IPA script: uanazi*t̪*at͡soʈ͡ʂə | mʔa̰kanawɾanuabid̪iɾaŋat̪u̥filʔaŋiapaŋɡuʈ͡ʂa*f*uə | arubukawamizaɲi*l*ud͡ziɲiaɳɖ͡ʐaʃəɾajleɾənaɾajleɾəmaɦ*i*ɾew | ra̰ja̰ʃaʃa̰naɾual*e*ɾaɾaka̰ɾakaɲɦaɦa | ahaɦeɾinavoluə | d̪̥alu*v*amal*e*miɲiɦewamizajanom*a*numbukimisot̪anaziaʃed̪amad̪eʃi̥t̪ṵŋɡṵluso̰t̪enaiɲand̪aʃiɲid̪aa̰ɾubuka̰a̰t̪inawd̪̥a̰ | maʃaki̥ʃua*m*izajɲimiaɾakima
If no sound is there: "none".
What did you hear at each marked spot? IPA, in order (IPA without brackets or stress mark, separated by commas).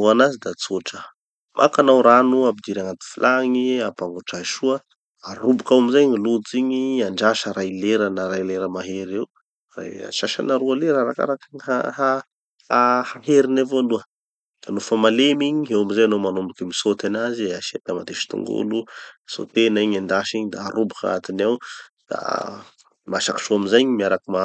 d̪, ʃ, l, e, e, f, e, a, m